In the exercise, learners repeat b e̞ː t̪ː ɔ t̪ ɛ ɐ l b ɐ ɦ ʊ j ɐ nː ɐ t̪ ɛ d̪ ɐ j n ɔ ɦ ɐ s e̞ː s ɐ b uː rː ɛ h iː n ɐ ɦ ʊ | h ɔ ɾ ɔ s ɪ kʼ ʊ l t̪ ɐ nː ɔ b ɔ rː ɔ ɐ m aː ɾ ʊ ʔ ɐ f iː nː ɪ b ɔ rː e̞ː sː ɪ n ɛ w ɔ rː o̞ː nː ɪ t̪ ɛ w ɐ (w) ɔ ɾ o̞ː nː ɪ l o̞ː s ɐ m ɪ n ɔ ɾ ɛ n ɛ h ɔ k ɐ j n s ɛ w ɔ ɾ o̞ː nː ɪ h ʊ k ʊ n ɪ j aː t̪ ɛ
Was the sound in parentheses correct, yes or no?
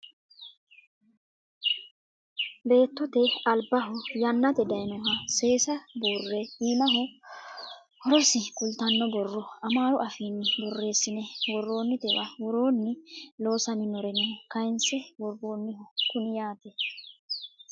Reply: yes